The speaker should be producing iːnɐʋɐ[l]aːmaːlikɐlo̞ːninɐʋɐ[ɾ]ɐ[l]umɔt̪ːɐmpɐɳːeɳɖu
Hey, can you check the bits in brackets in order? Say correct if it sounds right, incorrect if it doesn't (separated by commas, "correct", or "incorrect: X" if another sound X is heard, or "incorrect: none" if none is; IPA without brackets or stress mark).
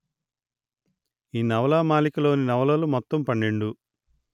correct, incorrect: l, correct